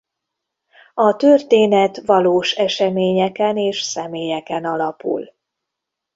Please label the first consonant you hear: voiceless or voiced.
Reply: voiceless